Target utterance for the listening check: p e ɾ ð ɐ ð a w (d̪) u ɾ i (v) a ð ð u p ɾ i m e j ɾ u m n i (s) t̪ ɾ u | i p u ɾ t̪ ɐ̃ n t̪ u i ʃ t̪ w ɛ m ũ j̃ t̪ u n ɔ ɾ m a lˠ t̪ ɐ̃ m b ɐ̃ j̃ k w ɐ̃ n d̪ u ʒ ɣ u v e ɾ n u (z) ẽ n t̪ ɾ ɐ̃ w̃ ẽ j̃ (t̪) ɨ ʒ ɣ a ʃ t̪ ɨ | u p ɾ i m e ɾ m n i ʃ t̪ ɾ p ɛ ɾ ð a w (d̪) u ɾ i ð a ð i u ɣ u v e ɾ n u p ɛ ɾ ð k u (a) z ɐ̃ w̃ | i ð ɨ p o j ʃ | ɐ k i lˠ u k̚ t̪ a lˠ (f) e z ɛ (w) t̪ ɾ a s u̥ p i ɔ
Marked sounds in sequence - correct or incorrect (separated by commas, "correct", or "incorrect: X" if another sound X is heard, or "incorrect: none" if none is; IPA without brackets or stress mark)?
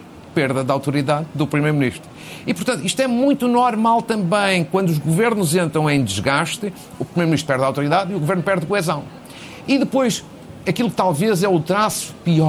incorrect: t̪, incorrect: ð, incorrect: ʃ, correct, incorrect: d̪, incorrect: t̪, incorrect: ɛ, incorrect: v, incorrect: u